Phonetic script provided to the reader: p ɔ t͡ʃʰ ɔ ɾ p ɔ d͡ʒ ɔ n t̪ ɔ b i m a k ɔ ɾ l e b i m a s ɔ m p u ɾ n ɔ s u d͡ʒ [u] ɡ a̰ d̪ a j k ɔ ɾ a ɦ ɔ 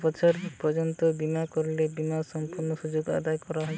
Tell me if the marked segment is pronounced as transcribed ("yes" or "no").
no